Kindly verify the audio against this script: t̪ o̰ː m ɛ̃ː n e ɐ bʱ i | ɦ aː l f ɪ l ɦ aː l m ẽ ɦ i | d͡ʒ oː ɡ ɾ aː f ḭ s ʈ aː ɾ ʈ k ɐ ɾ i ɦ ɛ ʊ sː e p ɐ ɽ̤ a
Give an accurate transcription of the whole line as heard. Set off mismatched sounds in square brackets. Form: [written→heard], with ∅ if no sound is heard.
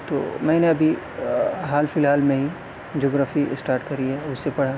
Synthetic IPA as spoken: t̪ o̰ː m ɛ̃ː n e ɐ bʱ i | ɦ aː l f ɪ l ɦ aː l m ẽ ɦ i | d͡ʒ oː ɡ ɾ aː f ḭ s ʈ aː ɾ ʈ k ɐ ɾ i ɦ ɛ ʊ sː e p ɐ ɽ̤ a